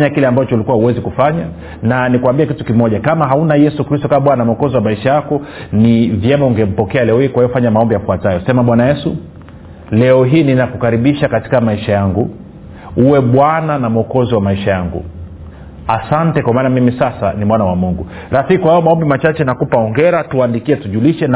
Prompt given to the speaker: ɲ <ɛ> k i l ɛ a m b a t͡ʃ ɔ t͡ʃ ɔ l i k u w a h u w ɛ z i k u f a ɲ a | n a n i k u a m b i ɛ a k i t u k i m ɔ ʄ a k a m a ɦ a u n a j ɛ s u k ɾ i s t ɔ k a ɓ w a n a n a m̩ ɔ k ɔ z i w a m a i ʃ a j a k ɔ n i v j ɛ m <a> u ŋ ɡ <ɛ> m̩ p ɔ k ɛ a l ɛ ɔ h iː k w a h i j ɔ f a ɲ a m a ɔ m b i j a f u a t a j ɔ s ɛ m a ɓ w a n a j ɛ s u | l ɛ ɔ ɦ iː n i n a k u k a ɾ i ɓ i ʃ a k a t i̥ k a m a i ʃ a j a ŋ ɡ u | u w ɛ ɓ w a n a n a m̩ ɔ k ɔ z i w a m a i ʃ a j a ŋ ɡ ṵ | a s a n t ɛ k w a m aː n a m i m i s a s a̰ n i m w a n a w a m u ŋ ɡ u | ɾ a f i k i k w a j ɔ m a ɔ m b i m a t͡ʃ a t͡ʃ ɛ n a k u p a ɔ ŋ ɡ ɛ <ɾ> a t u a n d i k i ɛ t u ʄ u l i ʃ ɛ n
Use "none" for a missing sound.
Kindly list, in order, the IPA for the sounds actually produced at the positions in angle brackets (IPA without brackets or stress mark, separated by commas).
a, a, ɛ, ɾ